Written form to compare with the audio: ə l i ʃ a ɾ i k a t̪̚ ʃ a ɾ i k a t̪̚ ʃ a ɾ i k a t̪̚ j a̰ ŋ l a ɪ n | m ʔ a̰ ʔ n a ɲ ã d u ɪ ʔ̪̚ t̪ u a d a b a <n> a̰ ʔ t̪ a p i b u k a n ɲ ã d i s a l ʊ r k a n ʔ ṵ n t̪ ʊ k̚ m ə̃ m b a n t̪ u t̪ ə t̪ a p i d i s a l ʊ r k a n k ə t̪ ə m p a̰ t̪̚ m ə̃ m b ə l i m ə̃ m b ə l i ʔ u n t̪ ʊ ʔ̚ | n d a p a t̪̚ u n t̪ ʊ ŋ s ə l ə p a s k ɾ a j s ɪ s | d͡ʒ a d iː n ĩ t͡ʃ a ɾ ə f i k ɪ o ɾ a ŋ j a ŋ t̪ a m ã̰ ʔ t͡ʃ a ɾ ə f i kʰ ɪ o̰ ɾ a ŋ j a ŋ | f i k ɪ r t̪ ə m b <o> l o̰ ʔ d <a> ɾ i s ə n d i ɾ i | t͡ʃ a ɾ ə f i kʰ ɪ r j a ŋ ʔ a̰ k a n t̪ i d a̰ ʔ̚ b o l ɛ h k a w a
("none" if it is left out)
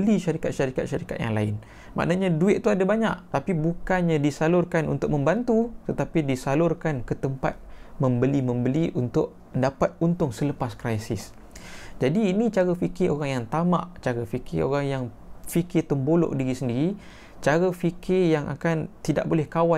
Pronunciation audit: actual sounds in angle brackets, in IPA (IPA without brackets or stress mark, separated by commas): ɲ, o, i